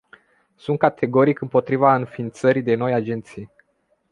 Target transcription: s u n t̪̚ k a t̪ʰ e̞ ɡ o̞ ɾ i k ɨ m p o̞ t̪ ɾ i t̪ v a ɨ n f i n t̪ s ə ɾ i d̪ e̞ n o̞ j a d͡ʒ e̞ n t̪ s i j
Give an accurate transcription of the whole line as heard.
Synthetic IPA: s u n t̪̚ k a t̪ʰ e̞ ɡ o̞ ɾ i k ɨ m p o̞ t̪ ɾ i v a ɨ n f i n t̪ s ə ɾ i d̪ e̞ n o̞ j a d͡ʒ e̞ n t̪ s i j